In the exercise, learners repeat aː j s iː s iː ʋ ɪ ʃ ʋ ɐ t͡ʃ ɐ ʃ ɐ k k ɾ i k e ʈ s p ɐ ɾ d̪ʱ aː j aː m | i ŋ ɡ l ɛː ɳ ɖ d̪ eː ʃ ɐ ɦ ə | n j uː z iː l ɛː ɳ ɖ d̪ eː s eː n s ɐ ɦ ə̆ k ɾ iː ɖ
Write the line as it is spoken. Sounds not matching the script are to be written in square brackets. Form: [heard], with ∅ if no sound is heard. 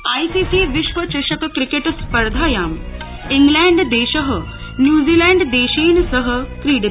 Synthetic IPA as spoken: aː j s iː s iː ʋ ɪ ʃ ʋ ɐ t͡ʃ ɐ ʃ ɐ k k ɾ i k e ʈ s p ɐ ɾ d̪ʱ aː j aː m | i ŋ ɡ l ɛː ɳ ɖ d̪ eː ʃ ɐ ɦ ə | n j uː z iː l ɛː ɳ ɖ d̪ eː [ʃ] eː n s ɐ ɦ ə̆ k ɾ iː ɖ